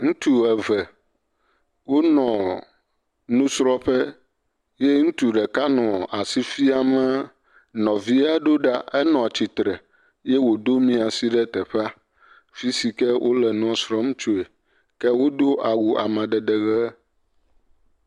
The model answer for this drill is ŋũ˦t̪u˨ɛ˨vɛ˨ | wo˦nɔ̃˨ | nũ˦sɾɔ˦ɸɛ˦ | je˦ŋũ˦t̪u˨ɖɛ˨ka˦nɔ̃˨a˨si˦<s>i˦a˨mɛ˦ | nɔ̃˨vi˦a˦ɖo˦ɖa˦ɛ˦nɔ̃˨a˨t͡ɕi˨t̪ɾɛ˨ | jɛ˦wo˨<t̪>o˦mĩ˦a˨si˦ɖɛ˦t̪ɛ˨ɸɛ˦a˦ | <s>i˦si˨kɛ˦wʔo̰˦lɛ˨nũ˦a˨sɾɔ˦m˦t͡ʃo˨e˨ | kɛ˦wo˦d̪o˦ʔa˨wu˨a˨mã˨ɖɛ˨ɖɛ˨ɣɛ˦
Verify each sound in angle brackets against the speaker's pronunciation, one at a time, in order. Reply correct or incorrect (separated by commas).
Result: incorrect, incorrect, incorrect